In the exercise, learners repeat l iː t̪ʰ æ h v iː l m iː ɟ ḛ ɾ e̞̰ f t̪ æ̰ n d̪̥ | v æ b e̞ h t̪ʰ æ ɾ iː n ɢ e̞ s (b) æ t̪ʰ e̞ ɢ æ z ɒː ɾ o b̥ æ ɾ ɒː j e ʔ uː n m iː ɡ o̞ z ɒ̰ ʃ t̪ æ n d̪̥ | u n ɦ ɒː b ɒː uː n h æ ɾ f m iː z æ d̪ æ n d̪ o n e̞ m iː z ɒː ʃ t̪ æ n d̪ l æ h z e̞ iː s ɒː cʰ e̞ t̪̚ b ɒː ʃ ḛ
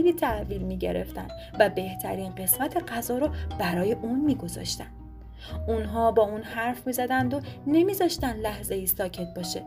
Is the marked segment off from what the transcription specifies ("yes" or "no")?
yes